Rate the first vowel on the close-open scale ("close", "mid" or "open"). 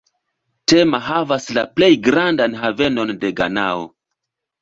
mid